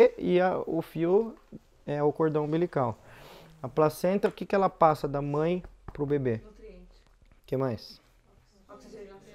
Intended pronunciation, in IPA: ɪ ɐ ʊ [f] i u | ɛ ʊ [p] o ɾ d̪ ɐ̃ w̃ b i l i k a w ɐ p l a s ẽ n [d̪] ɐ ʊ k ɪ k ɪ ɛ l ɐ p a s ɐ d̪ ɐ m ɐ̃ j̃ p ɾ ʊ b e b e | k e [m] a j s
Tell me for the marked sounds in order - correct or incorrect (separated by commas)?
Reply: correct, incorrect, incorrect, correct